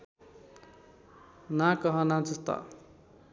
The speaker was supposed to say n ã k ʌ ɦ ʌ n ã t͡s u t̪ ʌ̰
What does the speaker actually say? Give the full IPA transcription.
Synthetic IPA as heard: n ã k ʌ ɦ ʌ n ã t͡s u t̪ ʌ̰